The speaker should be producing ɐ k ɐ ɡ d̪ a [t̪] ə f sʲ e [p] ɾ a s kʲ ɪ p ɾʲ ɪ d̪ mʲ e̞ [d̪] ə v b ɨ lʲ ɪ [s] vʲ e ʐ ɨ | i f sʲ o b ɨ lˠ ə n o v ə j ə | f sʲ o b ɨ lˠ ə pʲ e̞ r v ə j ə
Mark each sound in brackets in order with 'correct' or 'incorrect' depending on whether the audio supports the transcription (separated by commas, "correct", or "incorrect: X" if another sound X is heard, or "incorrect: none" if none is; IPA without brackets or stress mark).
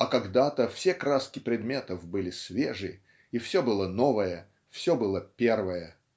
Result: correct, incorrect: k, incorrect: t̪, correct